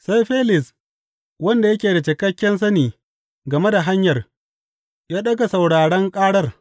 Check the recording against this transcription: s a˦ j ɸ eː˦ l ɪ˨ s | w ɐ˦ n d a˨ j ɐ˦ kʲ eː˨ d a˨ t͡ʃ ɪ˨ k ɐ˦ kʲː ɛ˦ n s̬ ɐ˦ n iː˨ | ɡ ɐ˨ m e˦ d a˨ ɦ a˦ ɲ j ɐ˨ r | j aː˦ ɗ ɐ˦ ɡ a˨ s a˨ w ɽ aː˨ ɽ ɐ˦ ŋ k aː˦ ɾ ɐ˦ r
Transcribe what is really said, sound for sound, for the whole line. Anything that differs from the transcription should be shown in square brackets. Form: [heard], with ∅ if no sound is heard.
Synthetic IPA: s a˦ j ɸ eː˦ l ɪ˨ s | w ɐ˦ n d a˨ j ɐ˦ kʲ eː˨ d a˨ t͡ʃ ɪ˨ k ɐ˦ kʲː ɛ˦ n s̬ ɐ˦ n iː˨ | ɡ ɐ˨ m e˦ d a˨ ɦ a˦ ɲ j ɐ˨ r | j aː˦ ɗ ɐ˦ ɡ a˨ s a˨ w ɽ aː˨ ɽ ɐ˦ ŋ [kʼ] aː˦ [ɽ] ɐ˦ r